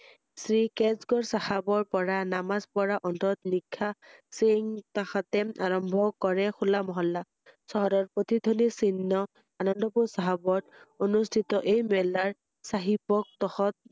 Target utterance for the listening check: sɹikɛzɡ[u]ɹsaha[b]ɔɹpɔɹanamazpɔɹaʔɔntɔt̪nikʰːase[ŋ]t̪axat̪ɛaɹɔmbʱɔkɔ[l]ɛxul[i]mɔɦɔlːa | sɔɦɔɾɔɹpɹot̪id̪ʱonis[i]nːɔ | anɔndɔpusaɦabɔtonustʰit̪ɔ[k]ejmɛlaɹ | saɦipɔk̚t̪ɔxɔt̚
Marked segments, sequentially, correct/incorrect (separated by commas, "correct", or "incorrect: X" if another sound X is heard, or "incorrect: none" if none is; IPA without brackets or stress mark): incorrect: ɔ, correct, correct, incorrect: ɹ, incorrect: a, correct, incorrect: ʔ